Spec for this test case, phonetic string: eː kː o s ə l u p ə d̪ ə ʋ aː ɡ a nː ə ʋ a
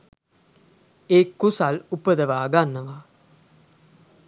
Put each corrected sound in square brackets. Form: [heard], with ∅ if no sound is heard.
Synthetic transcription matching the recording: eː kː [u] s [a] l u p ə d̪ ə ʋ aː ɡ a nː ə ʋ a